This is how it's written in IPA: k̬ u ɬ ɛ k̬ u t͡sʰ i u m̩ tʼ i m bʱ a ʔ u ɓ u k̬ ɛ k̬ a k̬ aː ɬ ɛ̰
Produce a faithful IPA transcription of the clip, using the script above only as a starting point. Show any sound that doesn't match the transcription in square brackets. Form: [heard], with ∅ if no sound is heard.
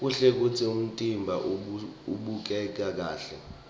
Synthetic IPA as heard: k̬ u ɬ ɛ k̬ u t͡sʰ i u m̩ tʼ i m bʱ a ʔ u ɓ u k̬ ɛ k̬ a k̬ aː ɬ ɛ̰